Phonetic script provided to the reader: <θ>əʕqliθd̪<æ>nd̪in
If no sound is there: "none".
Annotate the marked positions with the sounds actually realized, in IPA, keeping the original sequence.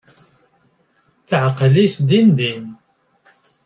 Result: θ, i

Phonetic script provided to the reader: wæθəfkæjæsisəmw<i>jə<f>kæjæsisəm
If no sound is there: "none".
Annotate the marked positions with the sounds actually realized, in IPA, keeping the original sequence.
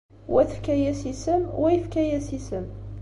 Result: æ, f

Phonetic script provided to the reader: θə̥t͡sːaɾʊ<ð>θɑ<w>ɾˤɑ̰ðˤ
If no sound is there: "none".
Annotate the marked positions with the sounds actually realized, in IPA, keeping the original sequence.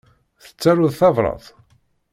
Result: ð, v

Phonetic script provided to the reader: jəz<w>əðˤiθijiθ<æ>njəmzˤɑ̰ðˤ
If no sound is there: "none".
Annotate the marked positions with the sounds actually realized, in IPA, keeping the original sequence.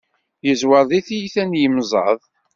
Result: w, æ

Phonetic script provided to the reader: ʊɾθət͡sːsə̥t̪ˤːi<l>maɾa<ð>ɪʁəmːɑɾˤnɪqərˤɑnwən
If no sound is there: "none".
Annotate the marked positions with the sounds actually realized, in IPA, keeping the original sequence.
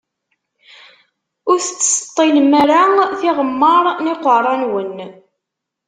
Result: l, θ

